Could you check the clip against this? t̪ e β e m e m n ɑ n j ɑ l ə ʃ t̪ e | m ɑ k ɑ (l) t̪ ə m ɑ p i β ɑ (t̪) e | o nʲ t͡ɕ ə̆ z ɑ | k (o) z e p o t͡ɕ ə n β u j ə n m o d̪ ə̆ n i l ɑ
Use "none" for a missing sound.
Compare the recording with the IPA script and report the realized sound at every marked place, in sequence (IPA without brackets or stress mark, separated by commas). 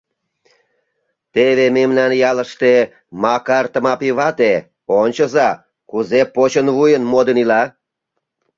r, t̪, u